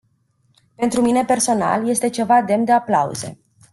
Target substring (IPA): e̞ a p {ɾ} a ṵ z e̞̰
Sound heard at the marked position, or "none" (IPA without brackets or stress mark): l